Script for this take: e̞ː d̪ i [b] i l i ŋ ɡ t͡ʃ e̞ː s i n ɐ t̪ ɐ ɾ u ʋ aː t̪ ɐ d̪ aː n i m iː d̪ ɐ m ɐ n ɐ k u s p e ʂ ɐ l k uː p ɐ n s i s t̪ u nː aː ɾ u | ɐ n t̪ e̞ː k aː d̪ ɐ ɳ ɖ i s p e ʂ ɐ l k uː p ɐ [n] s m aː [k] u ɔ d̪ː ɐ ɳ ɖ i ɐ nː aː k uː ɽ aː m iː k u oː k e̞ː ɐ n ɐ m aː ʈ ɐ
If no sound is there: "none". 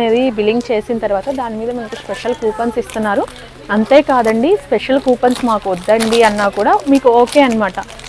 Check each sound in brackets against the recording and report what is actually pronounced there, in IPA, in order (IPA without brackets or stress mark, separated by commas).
b, n, k